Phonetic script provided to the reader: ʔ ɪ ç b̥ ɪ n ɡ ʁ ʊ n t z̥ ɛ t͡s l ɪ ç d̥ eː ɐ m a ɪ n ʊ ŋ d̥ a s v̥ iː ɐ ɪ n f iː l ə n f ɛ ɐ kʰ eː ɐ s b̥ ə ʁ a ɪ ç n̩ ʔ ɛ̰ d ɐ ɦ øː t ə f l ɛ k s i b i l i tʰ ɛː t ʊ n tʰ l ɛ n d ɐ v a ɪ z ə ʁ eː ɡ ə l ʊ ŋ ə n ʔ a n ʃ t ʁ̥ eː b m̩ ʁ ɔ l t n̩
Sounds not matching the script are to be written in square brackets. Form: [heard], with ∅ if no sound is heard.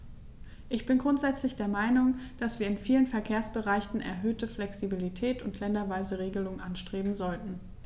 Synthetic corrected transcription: ʔ ɪ ç b̥ ɪ n ɡ ʁ ʊ n t z̥ ɛ t͡s l ɪ ç d̥ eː ɐ m a ɪ n ʊ ŋ d̥ a s v̥ iː ɐ ɪ n f iː l ə n f ɛ ɐ kʰ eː ɐ s b̥ ə ʁ a ɪ ç n̩ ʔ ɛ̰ [∅] ɐ ɦ øː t ə f l ɛ k s i b i l i tʰ ɛː t ʊ n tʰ l ɛ n d ɐ v a ɪ z ə ʁ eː ɡ ə l ʊ ŋ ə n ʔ a n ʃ t ʁ̥ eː b m̩ [z] ɔ l t n̩